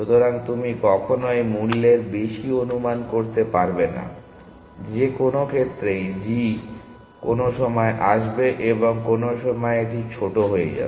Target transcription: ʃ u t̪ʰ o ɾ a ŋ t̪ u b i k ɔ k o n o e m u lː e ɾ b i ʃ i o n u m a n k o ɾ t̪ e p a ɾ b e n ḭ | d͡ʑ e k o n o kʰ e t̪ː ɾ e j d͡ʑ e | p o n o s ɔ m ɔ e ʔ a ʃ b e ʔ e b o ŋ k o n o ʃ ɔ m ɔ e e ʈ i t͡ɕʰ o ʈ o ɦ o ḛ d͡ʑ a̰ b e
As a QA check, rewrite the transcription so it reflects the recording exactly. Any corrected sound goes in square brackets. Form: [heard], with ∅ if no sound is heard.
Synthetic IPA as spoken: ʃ u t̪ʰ o ɾ a ŋ t̪ u [m] i k ɔ [kʰ] o n o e m u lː e ɾ b [e] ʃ i o n u m a n k o ɾ t̪ e p a ɾ b e n [a̰] | d͡ʑ e k o n o kʰ e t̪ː ɾ e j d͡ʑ [i] | [k] o n o [ʃ] ɔ m ɔ e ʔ a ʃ b e ʔ e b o ŋ k o n o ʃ ɔ m ɔ e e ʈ i t͡ɕʰ o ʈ o ɦ o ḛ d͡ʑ a̰ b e